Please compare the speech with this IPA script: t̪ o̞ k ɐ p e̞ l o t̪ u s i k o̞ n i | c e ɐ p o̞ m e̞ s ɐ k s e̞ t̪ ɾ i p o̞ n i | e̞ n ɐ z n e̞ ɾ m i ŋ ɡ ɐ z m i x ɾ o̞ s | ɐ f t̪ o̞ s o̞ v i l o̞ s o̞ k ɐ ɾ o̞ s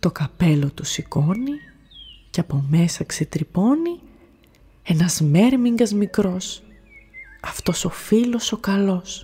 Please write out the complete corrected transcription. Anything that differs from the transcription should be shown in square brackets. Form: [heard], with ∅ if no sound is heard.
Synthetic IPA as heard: t̪ o̞ k ɐ p e̞ l o t̪ u s i k o̞ n i | c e ɐ p o̞ m e̞ s ɐ k s e̞ t̪ ɾ i p o̞ n i | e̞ n ɐ z [m] e̞ ɾ m i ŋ ɡ ɐ z m i [k] ɾ o̞ s | ɐ f t̪ o̞ s o̞ [f] i l o̞ s o̞ k ɐ [l] o̞ s